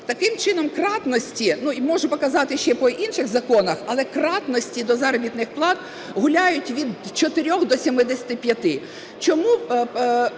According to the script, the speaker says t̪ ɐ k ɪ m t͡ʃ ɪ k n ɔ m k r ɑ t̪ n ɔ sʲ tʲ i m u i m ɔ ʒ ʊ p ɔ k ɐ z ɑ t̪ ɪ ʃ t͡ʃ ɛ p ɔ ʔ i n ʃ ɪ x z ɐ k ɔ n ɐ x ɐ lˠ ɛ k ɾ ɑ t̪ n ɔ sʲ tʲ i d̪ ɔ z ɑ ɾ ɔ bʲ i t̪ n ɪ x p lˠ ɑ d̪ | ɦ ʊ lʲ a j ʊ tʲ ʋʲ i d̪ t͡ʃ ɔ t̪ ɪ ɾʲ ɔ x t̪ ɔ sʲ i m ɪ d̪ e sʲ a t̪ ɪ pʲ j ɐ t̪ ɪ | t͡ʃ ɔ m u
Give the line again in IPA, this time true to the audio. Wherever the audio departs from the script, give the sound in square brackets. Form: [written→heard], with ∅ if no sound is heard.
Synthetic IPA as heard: t̪ ɐ k ɪ m t͡ʃ ɪ [k→∅] n ɔ m k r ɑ t̪ n ɔ sʲ tʲ i [m→n] u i m ɔ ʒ ʊ p ɔ k ɐ z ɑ t̪ ɪ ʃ t͡ʃ ɛ p ɔ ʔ i n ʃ ɪ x z ɐ k ɔ n ɐ x ɐ lˠ ɛ k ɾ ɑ t̪ n ɔ sʲ tʲ i d̪ ɔ z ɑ ɾ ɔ bʲ i t̪ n ɪ x p lˠ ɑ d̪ | ɦ ʊ lʲ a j ʊ tʲ ʋʲ i d̪ t͡ʃ ɔ t̪ ɪ ɾʲ ɔ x [t̪→d̪] ɔ sʲ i m ɪ d̪ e sʲ [a→ɐ] t̪ ɪ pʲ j ɐ t̪ ɪ | t͡ʃ ɔ m u

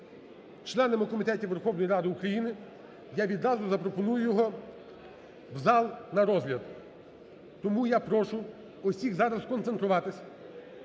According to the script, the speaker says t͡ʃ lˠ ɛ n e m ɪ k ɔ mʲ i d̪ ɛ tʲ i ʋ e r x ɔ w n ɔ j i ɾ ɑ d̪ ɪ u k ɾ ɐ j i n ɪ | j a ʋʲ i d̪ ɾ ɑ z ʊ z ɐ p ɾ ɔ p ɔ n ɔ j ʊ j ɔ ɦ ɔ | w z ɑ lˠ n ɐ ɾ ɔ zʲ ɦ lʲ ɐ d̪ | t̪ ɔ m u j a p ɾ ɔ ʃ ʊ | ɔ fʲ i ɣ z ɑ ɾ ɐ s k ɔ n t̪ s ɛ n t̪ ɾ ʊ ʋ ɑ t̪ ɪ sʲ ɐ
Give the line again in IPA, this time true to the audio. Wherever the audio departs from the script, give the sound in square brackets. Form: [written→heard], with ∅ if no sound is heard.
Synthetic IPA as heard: t͡ʃ lˠ ɛ n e m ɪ k ɔ mʲ i [d̪→t̪] ɛ tʲ i ʋ e r x ɔ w n ɔ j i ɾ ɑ d̪ ɪ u k ɾ ɐ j i n ɪ | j a ʋʲ i d̪ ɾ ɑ z ʊ z ɐ p ɾ ɔ p ɔ n [ɔ→u] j ʊ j ɔ ɦ ɔ | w z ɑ lˠ n ɐ ɾ ɔ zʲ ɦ lʲ ɐ d̪ | t̪ ɔ m u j a p ɾ ɔ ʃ ʊ | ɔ [fʲ→sʲ] i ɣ z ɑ ɾ ɐ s k ɔ n t̪ s [ɛ→e] n t̪ ɾ ʊ ʋ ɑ t̪ ɪ sʲ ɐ

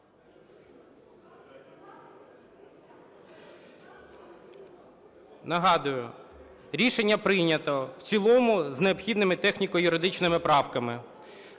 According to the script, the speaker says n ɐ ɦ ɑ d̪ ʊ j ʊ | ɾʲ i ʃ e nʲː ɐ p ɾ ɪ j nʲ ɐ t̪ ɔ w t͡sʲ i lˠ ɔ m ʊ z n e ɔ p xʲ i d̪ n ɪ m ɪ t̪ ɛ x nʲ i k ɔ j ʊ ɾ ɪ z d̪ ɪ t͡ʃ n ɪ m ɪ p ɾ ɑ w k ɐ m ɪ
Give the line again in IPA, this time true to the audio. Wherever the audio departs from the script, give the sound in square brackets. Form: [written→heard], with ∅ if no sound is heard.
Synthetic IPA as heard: n ɐ ɦ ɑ d̪ ʊ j ʊ | ɾʲ i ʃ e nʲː ɐ p ɾ ɪ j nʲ ɐ t̪ ɔ w t͡sʲ i lˠ ɔ m ʊ z n e ɔ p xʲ i d̪ n ɪ m ɪ t̪ ɛ x nʲ i k ɔ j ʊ ɾ ɪ [z→∅] d̪ ɪ t͡ʃ n ɪ m ɪ p ɾ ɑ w k ɐ m ɪ

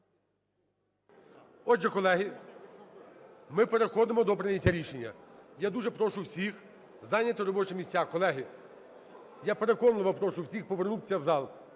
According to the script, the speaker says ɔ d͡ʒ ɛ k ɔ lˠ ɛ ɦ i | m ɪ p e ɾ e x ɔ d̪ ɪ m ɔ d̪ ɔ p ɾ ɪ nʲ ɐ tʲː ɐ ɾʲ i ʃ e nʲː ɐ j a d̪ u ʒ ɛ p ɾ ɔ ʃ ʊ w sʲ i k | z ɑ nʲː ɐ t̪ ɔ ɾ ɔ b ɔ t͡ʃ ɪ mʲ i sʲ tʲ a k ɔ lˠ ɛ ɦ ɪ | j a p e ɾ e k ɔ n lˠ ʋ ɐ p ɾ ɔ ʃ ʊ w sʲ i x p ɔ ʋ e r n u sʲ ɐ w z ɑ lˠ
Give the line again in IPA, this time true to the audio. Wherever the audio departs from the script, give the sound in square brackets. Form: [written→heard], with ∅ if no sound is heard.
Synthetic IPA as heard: ɔ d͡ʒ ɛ k ɔ lˠ ɛ ɦ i | m ɪ p e ɾ e x ɔ d̪ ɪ m ɔ d̪ ɔ p ɾ ɪ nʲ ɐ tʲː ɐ ɾʲ i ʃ e nʲː ɐ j a d̪ u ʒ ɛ p ɾ ɔ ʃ ʊ w sʲ i [k→x] | z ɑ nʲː ɐ t̪ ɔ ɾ ɔ b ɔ t͡ʃ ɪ mʲ i sʲ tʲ a k ɔ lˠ ɛ ɦ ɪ | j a p e ɾ e k ɔ n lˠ ʋ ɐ p ɾ ɔ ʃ ʊ w sʲ i x p ɔ ʋ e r n u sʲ ɐ w z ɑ lˠ

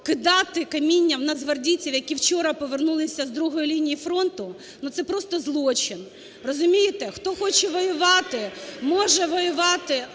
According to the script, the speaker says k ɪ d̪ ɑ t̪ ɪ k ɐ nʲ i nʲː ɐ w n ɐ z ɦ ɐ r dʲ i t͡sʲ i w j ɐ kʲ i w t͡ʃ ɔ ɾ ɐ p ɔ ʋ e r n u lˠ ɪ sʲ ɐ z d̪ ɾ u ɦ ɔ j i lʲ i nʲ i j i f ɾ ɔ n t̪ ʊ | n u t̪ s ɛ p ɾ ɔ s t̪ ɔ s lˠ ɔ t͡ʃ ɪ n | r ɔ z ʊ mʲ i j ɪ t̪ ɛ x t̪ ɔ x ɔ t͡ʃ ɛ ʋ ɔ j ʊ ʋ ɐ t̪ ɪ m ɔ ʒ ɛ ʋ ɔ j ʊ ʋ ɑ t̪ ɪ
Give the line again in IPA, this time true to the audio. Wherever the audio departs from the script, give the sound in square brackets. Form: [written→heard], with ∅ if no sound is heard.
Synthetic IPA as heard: k ɪ d̪ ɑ t̪ ɪ k ɐ [nʲ→mʲ] i nʲː ɐ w n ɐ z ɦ ɐ r dʲ i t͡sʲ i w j ɐ kʲ i w t͡ʃ ɔ ɾ ɐ p ɔ ʋ e r n u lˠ ɪ sʲ ɐ z d̪ ɾ u ɦ ɔ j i lʲ i nʲ i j i f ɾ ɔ n t̪ ʊ | n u t̪ s ɛ p ɾ ɔ s t̪ ɔ [s→z] lˠ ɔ t͡ʃ ɪ n | r ɔ z ʊ mʲ i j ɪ t̪ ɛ x t̪ ɔ x ɔ t͡ʃ ɛ ʋ ɔ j ʊ ʋ [ɐ→ɑ] t̪ ɪ m ɔ ʒ ɛ ʋ ɔ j ʊ ʋ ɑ t̪ ɪ

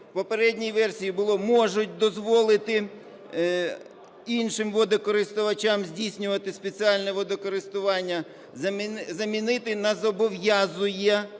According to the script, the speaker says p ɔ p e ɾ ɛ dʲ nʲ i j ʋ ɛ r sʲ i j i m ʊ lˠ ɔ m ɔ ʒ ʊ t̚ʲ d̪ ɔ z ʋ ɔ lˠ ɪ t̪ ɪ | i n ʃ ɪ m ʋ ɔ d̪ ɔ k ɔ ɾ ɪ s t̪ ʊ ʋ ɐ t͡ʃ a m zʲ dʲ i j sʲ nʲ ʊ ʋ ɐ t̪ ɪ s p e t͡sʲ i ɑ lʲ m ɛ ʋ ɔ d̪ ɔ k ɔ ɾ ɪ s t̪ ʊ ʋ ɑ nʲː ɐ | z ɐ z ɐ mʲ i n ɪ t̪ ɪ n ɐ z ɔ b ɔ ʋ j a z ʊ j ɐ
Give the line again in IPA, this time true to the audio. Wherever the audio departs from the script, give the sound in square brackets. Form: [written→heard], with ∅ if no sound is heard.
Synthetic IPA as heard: p ɔ p e ɾ ɛ dʲ nʲ i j ʋ ɛ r sʲ i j i [m→b] ʊ lˠ ɔ m ɔ ʒ ʊ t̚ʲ d̪ ɔ z ʋ ɔ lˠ ɪ t̪ ɪ | i n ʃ ɪ m ʋ ɔ d̪ ɔ k ɔ ɾ ɪ s t̪ ʊ ʋ ɐ t͡ʃ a m zʲ dʲ i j sʲ nʲ ʊ ʋ ɐ t̪ ɪ s p e t͡sʲ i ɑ lʲ [m→n] ɛ ʋ ɔ d̪ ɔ k ɔ ɾ ɪ s t̪ ʊ ʋ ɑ nʲː ɐ | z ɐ z ɐ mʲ i n ɪ t̪ ɪ n ɐ z ɔ b ɔ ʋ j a z ʊ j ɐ

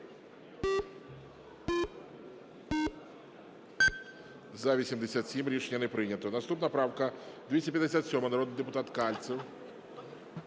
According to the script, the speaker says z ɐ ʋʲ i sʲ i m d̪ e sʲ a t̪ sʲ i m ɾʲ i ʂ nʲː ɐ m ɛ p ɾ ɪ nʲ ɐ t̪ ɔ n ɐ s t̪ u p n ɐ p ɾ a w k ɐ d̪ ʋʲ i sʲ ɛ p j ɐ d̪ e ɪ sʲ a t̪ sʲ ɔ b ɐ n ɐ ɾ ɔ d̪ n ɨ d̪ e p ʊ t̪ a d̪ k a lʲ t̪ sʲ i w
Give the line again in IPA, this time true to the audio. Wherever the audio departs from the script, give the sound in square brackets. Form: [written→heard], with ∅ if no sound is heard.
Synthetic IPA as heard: z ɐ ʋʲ i sʲ i m d̪ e sʲ a t̪ sʲ i m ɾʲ i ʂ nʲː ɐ [m→n] ɛ p ɾ ɪ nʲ ɐ t̪ ɔ n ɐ s t̪ u p n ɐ p ɾ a w k ɐ d̪ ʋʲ i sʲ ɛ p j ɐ d̪ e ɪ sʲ a t̪ sʲ ɔ [b→m] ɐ n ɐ ɾ ɔ d̪ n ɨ d̪ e p ʊ t̪ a [d̪→t̪] k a lʲ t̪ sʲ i w

